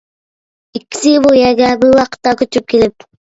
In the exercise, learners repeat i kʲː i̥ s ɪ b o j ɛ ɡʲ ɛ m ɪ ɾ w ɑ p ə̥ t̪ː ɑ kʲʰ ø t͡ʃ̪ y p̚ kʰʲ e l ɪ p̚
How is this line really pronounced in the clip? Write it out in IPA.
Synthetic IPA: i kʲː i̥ s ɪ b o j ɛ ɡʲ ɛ b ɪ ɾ w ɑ q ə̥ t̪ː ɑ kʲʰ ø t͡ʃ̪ y p̚ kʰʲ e l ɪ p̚